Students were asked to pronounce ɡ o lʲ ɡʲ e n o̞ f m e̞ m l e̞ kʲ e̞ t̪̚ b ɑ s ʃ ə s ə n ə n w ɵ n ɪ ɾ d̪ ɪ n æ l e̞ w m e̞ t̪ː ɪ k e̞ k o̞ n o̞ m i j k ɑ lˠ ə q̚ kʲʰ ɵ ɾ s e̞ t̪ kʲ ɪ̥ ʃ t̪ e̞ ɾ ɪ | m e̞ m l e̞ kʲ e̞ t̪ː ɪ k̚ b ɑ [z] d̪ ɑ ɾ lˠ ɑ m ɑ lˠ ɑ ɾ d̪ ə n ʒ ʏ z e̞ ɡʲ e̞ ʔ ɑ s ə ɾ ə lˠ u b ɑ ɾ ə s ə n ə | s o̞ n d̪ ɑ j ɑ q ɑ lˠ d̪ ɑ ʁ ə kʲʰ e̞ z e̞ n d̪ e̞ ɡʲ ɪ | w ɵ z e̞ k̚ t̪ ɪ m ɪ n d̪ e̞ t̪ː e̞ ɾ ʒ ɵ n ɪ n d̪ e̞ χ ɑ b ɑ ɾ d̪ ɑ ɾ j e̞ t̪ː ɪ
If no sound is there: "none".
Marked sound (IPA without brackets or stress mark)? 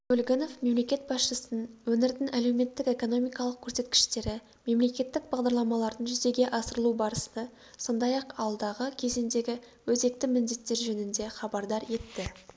ʁ